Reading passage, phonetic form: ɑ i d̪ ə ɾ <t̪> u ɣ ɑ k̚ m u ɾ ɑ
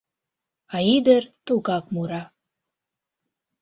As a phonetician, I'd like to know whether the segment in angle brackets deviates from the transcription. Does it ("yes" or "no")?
no